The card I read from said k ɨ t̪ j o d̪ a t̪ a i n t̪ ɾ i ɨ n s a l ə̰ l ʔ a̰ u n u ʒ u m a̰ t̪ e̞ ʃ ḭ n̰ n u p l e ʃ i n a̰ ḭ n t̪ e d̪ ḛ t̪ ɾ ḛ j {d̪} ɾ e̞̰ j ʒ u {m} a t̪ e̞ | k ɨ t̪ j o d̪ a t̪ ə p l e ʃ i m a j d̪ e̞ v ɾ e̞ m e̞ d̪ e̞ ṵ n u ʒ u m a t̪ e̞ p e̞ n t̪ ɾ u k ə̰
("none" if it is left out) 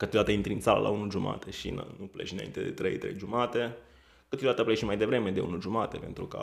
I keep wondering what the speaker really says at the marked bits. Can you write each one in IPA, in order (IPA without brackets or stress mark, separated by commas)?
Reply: t̪, m